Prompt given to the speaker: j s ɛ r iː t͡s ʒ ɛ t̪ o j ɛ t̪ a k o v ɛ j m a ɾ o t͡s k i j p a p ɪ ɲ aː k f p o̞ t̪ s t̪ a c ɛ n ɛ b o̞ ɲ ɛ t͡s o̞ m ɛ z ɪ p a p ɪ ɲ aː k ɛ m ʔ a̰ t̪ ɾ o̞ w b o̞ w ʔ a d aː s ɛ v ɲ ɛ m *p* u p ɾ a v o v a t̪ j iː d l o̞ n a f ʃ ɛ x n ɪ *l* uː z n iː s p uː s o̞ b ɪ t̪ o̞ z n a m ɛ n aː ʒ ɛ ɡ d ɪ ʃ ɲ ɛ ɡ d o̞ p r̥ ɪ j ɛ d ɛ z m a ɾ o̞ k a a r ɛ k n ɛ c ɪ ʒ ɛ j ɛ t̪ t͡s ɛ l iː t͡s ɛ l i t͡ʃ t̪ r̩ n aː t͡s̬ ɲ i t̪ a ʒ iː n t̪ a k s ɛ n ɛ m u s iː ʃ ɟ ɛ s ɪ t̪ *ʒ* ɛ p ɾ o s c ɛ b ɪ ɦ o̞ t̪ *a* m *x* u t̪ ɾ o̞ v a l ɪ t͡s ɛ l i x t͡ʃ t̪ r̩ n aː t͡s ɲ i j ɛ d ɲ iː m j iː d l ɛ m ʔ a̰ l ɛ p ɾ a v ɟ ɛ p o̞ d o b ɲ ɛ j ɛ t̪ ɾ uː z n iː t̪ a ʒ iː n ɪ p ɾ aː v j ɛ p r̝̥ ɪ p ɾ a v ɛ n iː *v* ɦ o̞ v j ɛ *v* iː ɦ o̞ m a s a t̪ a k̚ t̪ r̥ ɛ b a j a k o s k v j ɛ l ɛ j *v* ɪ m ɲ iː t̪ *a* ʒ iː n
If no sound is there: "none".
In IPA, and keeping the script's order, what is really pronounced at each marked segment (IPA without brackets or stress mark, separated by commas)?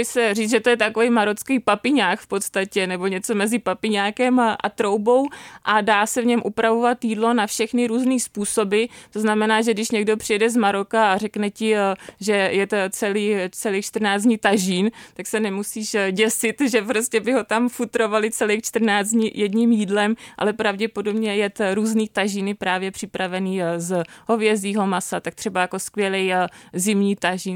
ʔ, ɾ, ʒ, a, f, z, z, z, a